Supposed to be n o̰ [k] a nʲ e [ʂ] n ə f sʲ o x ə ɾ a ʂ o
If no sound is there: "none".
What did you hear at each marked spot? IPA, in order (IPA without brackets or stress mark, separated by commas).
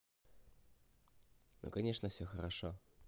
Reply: k, ʂ